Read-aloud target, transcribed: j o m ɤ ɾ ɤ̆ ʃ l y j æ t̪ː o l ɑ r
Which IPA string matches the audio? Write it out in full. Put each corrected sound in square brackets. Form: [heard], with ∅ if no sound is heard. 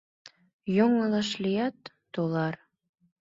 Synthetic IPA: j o [ŋ] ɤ [l] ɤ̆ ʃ l [i] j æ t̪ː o l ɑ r